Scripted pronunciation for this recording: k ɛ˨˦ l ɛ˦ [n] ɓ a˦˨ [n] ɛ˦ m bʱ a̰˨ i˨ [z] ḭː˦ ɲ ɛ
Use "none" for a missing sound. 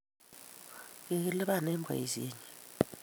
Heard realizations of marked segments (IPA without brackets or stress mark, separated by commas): none, n, z